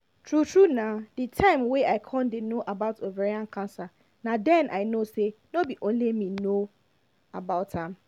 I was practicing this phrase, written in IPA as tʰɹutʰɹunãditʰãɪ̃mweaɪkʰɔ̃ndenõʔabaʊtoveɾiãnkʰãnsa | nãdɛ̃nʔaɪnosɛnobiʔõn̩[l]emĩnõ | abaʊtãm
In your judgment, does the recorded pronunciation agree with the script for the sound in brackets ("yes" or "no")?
yes